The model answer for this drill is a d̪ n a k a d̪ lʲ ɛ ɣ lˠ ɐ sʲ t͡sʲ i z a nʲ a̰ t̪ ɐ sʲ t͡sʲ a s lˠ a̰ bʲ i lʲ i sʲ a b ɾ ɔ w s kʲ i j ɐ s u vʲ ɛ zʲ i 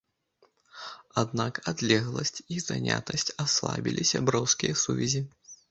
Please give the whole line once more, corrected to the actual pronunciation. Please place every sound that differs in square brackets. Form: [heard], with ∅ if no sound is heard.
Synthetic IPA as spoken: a d̪ n a k a d̪ lʲ ɛ ɣ lˠ ɐ sʲ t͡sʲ i z a nʲ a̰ t̪ ɐ sʲ t͡sʲ a s lˠ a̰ bʲ i lʲ i sʲ a b ɾ ɔ w s kʲ i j ɐ s u vʲ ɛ zʲ i